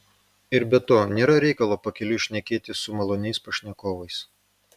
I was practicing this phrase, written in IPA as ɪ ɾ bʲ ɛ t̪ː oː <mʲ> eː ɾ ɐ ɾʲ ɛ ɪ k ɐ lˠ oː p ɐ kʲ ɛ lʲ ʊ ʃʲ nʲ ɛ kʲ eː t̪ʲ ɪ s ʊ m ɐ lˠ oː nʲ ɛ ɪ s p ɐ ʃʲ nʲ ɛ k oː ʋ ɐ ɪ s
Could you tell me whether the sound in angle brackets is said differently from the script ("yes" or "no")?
yes